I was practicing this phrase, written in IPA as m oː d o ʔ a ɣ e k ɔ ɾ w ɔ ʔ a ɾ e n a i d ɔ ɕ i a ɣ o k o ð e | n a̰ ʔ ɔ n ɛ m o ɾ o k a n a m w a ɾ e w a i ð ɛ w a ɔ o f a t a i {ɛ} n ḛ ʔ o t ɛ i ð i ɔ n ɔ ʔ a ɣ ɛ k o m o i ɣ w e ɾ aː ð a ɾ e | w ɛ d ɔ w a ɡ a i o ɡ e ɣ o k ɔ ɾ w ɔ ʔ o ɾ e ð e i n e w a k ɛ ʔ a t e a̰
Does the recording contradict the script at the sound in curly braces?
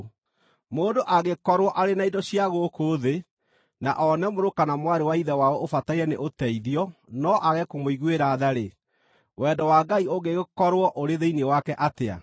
no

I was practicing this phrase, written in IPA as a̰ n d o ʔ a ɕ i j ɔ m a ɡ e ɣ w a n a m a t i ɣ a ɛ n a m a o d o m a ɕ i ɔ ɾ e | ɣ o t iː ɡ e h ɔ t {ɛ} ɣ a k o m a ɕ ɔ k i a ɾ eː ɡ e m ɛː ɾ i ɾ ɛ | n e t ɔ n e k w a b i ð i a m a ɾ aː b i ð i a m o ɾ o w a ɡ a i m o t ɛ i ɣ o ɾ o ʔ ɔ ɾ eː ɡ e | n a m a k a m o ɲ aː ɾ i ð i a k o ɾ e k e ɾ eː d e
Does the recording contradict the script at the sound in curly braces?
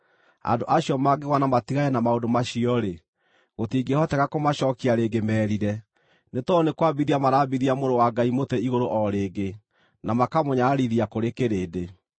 no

